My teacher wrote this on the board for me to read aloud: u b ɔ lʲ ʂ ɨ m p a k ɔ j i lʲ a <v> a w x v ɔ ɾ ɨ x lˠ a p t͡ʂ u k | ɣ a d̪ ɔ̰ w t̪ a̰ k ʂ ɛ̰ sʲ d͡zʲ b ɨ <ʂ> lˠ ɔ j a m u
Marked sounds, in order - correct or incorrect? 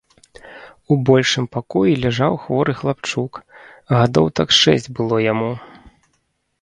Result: incorrect: ʐ, incorrect: none

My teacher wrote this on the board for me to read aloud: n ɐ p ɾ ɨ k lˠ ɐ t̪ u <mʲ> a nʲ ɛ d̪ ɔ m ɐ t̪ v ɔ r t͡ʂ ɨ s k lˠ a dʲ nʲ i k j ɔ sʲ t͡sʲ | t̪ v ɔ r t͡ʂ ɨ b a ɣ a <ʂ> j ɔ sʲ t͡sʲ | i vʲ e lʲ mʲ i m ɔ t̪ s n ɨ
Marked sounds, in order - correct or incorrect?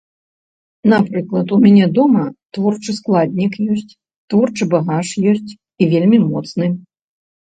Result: correct, correct

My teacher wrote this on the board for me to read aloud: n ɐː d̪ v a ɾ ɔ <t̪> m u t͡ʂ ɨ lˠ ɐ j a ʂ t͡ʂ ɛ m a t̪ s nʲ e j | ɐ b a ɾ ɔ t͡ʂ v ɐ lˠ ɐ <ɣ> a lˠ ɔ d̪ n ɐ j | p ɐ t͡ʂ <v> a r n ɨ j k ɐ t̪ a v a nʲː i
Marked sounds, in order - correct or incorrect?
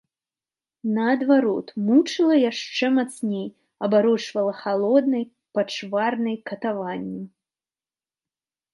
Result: correct, incorrect: x, correct

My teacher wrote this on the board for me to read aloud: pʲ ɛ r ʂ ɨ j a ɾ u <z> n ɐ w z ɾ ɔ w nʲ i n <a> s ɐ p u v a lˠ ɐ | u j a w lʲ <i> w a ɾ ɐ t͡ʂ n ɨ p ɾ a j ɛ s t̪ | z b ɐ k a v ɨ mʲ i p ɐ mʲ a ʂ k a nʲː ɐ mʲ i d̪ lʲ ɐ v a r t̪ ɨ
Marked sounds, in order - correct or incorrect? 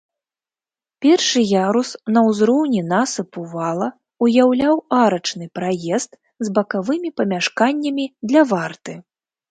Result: incorrect: s, correct, incorrect: a

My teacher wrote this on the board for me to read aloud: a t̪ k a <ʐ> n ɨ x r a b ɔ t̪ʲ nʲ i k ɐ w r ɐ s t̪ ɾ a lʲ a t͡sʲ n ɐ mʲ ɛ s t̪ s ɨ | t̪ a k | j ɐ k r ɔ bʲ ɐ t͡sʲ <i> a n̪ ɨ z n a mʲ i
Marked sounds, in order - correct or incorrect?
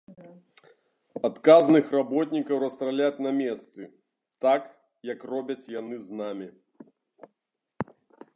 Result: incorrect: z, incorrect: j

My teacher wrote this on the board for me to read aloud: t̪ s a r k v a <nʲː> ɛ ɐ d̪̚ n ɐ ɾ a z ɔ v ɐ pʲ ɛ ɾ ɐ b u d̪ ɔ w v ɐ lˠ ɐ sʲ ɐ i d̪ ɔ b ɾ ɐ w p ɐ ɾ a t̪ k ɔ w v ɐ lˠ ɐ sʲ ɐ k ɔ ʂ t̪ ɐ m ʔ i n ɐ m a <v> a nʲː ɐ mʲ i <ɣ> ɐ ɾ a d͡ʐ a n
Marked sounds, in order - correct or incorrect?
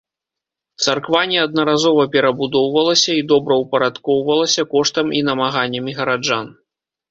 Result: incorrect: nʲ, incorrect: ɣ, correct

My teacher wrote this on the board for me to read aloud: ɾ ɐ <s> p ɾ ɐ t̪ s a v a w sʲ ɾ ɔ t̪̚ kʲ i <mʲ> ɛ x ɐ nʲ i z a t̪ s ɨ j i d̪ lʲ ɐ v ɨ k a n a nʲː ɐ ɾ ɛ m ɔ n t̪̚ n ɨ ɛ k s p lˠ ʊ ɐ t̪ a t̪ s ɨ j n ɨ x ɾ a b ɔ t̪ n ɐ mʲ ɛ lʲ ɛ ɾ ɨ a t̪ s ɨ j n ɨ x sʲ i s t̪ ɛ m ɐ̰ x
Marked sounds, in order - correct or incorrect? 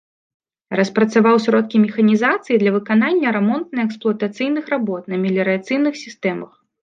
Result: correct, correct

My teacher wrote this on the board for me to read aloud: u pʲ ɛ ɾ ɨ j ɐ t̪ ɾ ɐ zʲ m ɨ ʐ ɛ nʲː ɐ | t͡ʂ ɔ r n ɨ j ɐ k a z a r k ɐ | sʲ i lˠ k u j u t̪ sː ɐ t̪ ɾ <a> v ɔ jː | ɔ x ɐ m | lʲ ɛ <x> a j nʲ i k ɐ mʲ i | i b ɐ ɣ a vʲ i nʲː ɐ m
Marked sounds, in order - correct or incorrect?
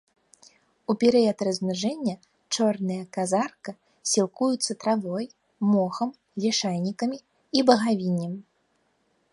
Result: correct, incorrect: ʂ

